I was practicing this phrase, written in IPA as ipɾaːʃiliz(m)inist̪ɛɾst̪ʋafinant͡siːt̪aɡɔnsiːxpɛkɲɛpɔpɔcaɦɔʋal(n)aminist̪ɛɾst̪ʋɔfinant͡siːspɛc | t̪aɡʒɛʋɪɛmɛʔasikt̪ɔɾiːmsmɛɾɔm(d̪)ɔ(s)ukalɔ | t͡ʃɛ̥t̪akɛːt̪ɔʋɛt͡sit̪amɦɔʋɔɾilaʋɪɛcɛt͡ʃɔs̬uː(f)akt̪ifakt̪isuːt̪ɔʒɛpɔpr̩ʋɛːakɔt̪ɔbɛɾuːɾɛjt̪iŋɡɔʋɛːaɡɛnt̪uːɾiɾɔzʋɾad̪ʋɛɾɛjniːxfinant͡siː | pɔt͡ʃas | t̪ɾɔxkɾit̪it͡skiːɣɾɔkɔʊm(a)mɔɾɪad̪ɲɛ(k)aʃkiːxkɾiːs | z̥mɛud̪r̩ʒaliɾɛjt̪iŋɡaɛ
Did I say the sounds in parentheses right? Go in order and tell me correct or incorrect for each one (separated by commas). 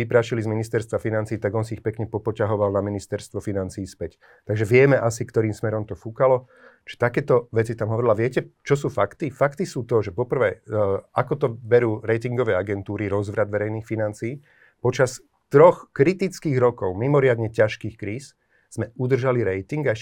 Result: correct, correct, incorrect, incorrect, correct, incorrect, incorrect